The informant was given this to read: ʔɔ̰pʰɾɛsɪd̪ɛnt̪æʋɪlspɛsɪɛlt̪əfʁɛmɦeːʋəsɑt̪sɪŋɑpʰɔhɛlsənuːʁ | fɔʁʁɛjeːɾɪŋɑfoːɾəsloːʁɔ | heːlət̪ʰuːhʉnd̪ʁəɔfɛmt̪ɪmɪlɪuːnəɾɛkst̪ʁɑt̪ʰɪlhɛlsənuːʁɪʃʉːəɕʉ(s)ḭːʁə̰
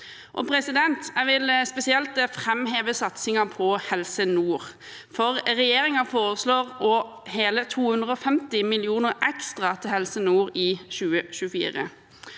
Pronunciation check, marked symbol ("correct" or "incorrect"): incorrect